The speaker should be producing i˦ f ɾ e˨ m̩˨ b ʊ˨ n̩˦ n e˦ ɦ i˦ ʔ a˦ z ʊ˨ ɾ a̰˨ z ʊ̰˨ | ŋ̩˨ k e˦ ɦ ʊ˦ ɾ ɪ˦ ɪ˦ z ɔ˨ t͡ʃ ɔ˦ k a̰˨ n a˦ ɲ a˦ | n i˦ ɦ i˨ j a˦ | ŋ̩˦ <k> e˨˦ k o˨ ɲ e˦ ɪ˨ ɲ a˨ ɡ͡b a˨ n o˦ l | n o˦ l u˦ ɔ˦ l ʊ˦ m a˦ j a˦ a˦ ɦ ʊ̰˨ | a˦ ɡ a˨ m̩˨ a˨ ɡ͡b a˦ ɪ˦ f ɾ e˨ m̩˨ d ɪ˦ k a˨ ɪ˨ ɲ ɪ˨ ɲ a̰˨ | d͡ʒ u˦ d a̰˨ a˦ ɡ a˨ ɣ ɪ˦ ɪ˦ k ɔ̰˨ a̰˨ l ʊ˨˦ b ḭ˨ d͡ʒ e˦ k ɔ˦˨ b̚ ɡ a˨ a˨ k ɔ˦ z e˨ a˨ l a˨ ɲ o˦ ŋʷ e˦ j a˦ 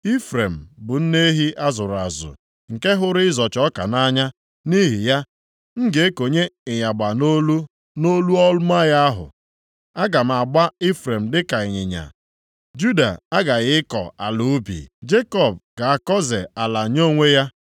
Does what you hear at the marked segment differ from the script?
yes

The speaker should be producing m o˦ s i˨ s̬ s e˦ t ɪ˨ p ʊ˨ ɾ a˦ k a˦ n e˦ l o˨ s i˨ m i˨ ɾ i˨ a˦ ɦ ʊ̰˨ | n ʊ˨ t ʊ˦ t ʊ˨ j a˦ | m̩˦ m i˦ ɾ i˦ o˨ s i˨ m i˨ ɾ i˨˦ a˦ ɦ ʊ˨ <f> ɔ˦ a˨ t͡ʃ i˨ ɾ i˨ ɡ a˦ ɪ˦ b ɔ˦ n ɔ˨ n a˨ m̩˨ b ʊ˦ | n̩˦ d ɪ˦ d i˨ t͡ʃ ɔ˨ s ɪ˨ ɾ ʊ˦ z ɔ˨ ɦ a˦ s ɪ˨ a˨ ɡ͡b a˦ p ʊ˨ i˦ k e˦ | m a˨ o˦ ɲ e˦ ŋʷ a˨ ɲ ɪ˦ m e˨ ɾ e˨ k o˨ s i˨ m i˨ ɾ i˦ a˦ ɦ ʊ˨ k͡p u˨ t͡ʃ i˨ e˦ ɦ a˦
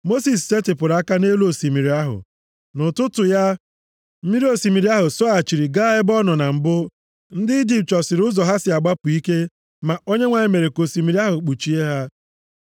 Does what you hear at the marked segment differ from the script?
yes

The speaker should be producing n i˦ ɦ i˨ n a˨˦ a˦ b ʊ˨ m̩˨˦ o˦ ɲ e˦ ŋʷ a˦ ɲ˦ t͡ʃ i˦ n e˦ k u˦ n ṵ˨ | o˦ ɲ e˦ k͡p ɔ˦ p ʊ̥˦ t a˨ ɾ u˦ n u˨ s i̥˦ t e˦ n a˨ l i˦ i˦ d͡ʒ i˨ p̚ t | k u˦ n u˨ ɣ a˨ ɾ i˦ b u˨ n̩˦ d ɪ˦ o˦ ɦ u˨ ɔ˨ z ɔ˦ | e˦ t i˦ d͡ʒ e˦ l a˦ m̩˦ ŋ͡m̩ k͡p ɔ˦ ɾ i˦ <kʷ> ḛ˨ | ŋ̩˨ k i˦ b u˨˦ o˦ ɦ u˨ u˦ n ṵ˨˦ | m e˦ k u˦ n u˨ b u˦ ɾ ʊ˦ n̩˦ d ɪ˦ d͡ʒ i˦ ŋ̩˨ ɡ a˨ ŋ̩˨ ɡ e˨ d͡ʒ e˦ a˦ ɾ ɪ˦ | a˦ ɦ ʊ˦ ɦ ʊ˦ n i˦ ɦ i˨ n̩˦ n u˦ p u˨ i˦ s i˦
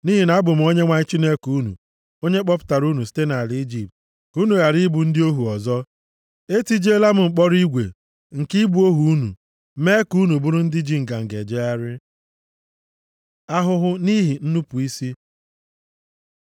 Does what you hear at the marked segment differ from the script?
yes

